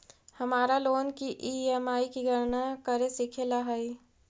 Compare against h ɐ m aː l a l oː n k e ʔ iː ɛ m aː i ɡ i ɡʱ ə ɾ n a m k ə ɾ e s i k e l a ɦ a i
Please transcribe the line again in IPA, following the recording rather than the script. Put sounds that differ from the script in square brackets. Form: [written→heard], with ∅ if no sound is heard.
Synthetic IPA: h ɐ m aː [l→ɾ] a l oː n k [e→i] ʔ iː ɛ m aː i [ɡ→k] i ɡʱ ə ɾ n a [m→∅] k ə ɾ e s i [k→kʰ] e l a ɦ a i